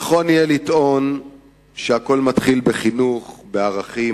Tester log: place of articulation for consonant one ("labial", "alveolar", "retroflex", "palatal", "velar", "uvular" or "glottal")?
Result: uvular